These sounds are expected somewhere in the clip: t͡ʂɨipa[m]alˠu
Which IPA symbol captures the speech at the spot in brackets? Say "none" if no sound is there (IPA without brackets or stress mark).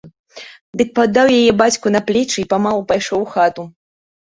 m